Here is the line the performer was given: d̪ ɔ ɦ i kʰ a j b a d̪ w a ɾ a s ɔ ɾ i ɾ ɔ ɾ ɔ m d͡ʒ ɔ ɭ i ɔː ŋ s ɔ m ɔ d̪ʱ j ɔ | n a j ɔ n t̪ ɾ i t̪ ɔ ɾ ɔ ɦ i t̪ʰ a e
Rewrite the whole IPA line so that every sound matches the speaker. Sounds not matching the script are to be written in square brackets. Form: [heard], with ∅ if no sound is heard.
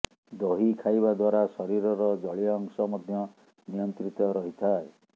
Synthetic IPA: d̪ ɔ ɦ i kʰ a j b a d̪ w a ɾ a s ɔ ɾ i ɾ ɔ ɾ ɔ [∅] d͡ʒ ɔ ɭ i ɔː ŋ s ɔ m ɔ d̪ʱ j ɔ | n [i] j ɔ n t̪ ɾ i t̪ ɔ ɾ ɔ ɦ i t̪ʰ a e